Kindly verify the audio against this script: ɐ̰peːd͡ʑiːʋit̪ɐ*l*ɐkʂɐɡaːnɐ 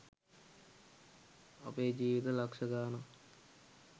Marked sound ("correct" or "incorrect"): correct